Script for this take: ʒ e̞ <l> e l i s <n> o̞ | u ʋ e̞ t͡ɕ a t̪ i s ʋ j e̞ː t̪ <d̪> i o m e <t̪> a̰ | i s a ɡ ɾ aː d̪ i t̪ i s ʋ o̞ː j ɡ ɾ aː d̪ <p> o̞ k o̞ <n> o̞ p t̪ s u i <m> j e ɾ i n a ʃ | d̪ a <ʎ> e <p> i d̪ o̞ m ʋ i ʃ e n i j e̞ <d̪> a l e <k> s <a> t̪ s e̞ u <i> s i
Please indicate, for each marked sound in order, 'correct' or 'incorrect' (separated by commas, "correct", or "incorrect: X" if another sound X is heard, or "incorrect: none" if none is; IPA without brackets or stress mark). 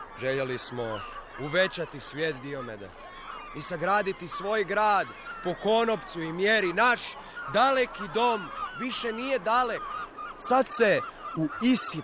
incorrect: ʎ, incorrect: m, correct, incorrect: d̪, correct, correct, correct, incorrect: l, incorrect: k, correct, correct, correct, correct